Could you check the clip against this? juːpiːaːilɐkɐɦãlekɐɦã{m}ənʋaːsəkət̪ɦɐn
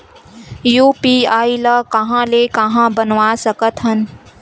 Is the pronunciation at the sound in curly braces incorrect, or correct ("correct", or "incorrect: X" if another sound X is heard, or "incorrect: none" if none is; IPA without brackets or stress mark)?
incorrect: b